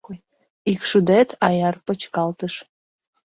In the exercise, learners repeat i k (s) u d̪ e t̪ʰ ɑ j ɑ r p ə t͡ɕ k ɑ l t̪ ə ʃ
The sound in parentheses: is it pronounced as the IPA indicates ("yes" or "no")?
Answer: no